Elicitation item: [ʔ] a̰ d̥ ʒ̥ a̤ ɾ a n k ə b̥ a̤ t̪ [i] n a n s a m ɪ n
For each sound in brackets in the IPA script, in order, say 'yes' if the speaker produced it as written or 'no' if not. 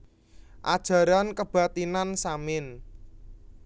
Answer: yes, yes

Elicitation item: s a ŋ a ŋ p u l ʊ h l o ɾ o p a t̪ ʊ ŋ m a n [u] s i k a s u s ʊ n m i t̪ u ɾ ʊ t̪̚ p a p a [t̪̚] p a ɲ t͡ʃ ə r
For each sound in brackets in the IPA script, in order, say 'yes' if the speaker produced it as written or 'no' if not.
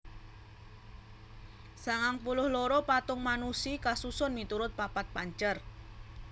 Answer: yes, yes

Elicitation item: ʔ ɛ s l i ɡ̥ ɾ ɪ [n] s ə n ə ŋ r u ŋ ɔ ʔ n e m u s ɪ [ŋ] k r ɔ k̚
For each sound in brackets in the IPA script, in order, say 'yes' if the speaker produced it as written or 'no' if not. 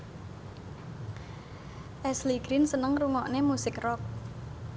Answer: yes, no

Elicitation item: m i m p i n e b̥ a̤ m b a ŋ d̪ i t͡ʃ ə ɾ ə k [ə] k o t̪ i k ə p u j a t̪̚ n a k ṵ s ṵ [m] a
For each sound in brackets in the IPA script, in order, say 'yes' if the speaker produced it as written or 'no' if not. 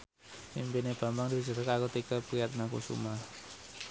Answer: no, yes

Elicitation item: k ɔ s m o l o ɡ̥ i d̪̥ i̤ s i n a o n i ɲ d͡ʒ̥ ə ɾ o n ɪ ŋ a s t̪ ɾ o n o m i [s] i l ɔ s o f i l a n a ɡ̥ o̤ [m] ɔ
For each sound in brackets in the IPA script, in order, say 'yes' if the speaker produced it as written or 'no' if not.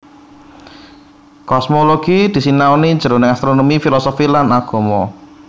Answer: no, yes

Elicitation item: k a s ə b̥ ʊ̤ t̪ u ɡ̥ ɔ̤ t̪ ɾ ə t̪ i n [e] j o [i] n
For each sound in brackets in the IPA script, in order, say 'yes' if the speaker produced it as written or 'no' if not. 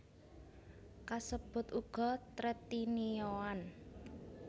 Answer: no, no

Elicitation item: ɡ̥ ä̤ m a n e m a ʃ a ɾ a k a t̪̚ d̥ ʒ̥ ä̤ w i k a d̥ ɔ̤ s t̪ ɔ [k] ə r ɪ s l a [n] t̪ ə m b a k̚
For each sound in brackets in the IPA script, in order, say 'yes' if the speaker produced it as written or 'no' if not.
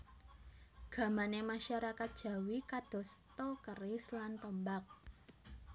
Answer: yes, yes

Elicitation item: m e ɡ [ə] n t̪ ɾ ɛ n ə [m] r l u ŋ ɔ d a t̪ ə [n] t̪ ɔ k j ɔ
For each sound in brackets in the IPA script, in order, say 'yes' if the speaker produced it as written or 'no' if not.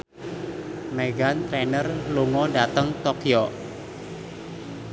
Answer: no, no, no

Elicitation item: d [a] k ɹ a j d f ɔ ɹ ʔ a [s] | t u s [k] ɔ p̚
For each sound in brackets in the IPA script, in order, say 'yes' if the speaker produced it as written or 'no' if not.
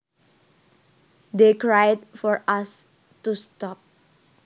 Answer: no, yes, no

